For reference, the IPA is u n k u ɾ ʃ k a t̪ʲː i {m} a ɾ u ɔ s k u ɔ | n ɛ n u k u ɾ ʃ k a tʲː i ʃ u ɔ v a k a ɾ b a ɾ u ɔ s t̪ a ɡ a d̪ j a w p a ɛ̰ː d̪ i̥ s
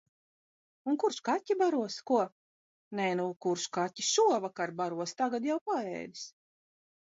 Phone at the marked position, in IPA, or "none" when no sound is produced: b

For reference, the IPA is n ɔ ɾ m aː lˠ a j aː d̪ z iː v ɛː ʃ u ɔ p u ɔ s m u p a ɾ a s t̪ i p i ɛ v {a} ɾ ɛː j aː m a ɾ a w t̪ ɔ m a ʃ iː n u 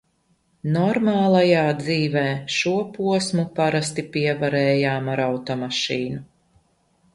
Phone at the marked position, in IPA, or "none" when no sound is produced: a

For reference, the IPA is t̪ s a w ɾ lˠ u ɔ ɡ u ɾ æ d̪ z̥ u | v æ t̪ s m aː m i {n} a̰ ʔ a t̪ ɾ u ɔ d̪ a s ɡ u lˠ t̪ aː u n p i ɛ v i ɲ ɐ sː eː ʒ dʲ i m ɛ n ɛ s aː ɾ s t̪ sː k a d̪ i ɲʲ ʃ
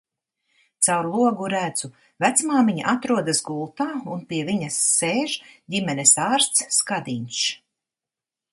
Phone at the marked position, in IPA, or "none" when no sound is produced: ɲ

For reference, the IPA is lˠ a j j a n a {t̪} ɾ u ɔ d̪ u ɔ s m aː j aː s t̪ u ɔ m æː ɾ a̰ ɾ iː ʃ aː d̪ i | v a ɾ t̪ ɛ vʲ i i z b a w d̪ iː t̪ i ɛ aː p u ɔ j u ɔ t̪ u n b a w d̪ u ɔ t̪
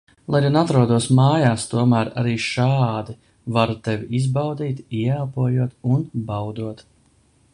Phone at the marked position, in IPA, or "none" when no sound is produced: t̪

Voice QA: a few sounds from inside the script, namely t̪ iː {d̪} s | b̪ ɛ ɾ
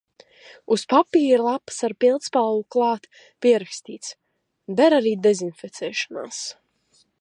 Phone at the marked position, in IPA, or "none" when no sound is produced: t̪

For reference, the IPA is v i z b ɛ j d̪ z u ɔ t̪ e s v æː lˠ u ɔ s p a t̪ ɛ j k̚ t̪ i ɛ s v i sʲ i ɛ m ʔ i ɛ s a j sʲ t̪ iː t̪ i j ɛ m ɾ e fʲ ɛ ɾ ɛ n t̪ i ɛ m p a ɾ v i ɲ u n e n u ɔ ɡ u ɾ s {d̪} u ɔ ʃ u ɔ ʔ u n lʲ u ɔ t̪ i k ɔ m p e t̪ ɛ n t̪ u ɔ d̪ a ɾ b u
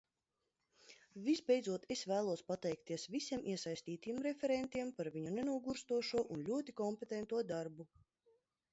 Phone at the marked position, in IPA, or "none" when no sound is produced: t̪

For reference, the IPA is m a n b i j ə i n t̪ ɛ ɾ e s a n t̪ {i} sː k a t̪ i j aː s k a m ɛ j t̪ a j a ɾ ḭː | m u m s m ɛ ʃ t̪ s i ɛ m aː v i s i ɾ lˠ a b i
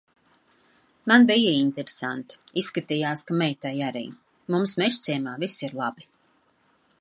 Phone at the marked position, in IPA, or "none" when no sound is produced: i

